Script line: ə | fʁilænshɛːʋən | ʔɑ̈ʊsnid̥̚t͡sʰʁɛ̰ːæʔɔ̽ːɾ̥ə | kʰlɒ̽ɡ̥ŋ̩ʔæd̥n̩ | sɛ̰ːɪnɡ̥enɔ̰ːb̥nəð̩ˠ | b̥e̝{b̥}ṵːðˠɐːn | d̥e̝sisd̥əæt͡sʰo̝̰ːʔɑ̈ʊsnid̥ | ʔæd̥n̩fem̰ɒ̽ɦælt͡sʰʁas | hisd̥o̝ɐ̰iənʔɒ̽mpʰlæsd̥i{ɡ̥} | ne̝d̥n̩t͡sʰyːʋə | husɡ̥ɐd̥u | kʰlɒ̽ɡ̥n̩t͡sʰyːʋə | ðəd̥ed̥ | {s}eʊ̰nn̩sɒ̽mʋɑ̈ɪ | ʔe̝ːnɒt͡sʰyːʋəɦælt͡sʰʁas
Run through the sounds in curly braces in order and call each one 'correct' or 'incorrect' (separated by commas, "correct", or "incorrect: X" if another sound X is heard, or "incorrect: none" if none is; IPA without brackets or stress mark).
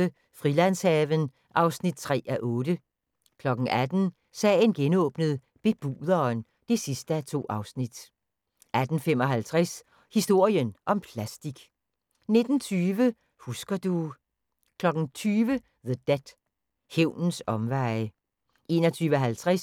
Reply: correct, correct, incorrect: h